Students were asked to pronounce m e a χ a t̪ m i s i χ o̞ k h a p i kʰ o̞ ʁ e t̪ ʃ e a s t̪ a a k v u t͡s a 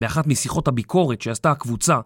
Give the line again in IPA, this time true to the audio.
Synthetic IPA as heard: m e a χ a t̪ m i s i χ o̞ t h a b i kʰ o̞ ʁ e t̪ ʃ e a s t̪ a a k v u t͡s a